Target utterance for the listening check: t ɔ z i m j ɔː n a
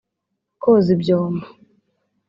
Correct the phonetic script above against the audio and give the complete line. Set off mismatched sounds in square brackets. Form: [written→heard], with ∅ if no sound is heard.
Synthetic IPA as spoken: [t→k] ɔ z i [m→b] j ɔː [n→m] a